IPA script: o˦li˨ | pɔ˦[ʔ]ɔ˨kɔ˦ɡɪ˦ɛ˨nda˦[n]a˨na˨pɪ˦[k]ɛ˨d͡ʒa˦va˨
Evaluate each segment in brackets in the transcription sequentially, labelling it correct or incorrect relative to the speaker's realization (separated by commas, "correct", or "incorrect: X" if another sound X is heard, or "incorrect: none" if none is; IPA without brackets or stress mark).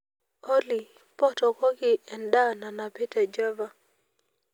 incorrect: t, correct, incorrect: t